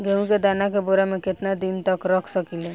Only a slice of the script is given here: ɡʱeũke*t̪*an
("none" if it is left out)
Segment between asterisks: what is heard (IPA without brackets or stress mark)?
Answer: d̪